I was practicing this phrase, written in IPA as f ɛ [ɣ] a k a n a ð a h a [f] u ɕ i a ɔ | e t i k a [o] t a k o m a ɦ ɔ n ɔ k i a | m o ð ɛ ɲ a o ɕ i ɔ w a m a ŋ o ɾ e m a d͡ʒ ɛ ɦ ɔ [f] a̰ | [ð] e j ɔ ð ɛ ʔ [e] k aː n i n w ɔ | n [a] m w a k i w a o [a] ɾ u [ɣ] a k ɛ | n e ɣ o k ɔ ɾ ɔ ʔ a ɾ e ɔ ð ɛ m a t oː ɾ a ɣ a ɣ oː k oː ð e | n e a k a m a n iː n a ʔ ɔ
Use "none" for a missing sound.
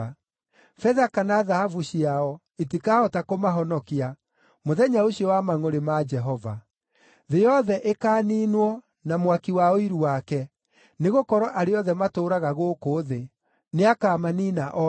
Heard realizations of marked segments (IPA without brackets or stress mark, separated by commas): ð, v, ɔ, v, ð, e, a, i, w